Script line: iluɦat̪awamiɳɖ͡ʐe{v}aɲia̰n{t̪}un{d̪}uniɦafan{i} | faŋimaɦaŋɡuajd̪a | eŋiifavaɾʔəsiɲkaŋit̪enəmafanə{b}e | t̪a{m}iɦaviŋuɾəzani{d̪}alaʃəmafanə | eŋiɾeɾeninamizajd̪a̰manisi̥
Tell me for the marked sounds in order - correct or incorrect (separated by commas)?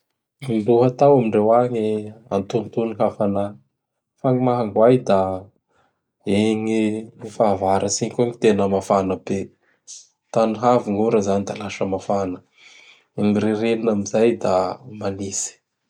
incorrect, correct, incorrect, incorrect, correct, incorrect, correct